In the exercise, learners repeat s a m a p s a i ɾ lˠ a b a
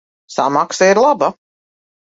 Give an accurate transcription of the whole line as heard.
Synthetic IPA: s a m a k s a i ɾ lˠ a b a